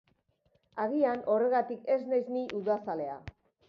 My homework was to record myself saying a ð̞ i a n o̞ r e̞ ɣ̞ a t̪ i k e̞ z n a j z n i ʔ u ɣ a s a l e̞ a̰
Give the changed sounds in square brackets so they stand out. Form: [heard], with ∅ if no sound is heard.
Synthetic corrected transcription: a [ɣ̞] i a n o̞ r e̞ ɣ̞ a t̪ i k e̞ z n a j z n i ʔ u [ð] a s a l e̞ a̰